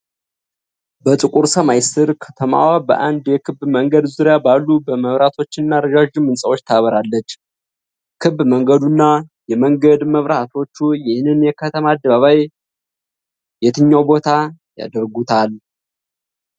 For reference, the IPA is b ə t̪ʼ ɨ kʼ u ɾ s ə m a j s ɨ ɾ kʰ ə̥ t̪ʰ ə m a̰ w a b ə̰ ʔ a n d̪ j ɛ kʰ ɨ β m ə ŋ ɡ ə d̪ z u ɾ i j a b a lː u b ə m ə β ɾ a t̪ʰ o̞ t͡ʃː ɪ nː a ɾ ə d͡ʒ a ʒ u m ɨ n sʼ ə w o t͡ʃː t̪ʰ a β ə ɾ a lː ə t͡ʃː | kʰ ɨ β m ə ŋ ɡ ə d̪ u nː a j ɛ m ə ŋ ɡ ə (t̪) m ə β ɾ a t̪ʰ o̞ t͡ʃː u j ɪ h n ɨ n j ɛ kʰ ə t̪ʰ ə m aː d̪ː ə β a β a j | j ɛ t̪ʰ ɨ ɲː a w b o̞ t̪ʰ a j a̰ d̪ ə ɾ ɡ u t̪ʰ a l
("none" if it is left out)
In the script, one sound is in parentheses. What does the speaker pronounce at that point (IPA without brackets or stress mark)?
d̪